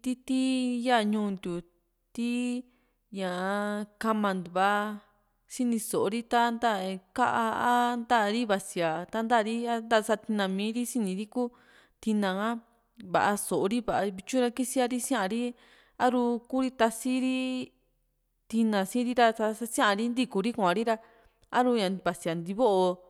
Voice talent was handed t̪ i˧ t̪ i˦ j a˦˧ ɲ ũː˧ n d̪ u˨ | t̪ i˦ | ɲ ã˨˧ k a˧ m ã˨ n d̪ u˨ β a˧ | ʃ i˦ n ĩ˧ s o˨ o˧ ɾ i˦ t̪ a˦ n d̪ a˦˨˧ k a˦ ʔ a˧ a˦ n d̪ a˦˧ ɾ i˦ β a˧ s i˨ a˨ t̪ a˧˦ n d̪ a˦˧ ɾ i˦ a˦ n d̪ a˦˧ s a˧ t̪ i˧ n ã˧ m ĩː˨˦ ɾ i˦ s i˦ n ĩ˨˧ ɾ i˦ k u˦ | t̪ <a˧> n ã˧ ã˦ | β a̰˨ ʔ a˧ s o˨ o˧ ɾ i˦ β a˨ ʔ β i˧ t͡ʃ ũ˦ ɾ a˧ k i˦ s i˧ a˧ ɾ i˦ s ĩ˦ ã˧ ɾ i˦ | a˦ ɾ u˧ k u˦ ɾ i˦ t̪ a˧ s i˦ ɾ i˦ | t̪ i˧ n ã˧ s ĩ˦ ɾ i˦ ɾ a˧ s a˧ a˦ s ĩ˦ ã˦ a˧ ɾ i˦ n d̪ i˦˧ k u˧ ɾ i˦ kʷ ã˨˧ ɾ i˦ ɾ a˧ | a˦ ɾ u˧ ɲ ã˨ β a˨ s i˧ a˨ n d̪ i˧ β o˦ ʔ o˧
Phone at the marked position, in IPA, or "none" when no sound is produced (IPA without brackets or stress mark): i˧